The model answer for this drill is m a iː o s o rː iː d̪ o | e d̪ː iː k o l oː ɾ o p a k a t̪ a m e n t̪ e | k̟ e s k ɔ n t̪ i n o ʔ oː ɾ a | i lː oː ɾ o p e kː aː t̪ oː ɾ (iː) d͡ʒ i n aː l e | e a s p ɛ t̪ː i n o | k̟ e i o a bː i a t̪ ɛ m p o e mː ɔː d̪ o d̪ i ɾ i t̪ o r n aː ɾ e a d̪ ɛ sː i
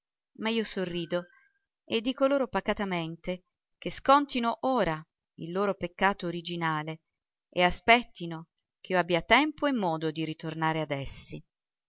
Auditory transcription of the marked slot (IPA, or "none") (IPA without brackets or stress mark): i